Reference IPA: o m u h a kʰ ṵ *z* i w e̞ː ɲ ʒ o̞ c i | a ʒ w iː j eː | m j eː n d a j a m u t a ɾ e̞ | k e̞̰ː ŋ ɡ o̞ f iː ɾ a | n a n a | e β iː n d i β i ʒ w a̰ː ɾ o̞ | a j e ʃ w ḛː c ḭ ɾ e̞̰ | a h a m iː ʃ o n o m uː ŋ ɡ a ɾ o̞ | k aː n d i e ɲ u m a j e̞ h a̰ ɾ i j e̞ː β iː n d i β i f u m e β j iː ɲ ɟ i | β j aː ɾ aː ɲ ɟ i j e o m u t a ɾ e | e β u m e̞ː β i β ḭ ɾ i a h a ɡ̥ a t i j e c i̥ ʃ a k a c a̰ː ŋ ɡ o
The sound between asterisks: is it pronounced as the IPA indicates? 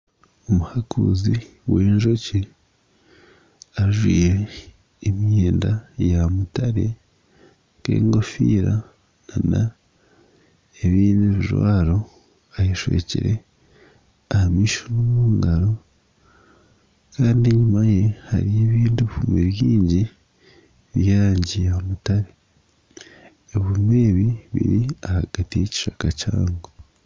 yes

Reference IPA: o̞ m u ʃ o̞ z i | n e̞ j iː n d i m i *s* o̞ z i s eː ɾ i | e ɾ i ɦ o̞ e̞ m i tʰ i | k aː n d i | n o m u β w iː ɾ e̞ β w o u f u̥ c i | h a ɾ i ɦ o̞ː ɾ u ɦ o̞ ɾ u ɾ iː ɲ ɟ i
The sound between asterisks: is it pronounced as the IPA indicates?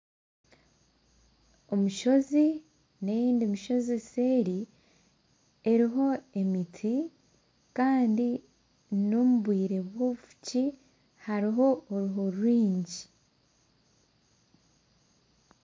no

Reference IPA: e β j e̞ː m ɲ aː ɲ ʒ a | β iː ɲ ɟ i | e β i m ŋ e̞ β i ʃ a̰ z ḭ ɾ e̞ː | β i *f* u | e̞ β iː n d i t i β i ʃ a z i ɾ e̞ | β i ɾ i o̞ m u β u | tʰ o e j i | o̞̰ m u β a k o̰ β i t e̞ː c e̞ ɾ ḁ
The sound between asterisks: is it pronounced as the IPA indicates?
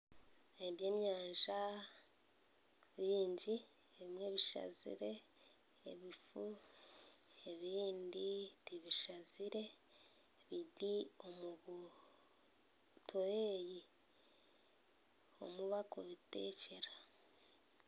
yes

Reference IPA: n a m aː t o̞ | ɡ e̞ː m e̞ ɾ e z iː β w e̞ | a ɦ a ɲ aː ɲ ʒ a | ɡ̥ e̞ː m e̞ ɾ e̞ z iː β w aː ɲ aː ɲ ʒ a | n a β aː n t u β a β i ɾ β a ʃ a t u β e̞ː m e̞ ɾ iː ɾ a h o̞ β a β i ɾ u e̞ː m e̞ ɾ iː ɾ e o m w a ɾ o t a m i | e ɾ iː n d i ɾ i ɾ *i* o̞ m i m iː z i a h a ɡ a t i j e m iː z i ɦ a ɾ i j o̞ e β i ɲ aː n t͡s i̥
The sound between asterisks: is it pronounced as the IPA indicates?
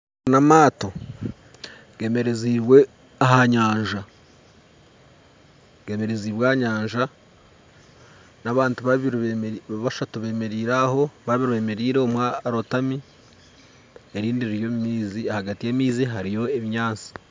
no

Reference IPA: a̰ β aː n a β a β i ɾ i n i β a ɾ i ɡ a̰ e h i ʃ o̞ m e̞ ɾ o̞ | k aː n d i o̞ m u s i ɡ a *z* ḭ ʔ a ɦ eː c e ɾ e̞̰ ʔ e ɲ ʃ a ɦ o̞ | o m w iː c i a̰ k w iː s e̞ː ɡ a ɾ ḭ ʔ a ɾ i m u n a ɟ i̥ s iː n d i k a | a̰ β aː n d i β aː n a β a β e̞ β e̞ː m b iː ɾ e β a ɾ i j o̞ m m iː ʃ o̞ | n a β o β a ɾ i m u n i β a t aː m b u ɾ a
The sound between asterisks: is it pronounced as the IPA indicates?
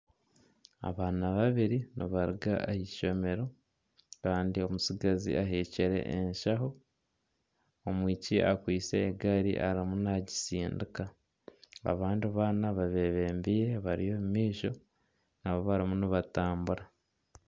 yes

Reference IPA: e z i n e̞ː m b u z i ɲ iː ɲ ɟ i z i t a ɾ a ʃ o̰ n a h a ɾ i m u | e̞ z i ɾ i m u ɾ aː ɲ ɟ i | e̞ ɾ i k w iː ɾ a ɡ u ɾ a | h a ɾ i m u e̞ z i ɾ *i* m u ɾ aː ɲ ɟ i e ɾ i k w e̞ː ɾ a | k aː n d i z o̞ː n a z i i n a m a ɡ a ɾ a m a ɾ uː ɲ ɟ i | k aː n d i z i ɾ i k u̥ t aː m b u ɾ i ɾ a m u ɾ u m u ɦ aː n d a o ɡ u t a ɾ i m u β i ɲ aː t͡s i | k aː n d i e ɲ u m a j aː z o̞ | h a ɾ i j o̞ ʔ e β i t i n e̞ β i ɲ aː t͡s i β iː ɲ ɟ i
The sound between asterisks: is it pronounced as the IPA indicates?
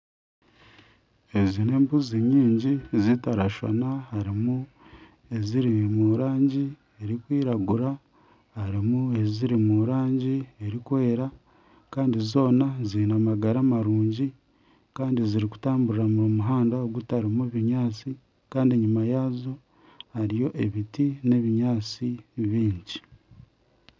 yes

